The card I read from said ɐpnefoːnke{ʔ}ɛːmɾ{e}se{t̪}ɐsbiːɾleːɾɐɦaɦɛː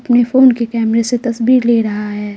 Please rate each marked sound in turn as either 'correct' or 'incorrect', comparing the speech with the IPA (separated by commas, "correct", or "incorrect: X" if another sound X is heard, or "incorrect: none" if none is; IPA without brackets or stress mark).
incorrect: k, correct, correct